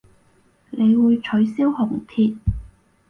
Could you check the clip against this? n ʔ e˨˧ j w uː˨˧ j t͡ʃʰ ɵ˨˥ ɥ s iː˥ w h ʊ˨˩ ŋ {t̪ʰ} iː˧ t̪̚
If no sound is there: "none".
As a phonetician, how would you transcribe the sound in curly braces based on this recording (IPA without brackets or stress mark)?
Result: t̪ʰ